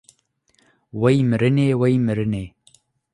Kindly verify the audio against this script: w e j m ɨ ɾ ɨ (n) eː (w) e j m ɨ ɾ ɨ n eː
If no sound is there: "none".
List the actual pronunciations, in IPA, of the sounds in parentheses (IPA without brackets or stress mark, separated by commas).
n, w